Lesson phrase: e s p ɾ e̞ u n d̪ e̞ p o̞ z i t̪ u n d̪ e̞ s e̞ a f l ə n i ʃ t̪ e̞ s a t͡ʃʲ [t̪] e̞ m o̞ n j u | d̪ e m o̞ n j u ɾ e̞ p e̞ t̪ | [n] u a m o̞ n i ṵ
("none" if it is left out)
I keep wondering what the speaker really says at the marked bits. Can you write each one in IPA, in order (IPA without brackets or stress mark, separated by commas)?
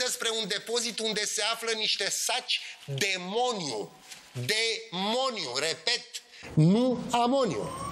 d̪, n